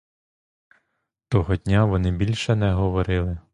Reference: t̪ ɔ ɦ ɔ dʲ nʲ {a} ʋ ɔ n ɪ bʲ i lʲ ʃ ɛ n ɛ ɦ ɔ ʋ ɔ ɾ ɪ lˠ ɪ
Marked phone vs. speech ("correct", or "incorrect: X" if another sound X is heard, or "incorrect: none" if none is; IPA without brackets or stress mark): correct